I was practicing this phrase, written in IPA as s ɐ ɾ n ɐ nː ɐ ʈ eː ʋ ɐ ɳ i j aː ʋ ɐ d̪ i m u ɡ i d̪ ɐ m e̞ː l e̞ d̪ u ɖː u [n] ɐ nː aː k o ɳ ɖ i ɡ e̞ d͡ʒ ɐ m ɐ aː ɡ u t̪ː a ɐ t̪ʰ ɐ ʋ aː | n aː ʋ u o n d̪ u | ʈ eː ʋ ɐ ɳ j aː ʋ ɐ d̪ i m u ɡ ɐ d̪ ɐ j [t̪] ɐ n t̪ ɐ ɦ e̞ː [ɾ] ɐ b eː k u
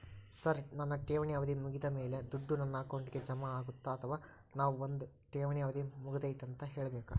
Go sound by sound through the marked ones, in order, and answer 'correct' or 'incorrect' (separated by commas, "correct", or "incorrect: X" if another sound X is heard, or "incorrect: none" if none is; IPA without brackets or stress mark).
correct, correct, incorrect: ɭ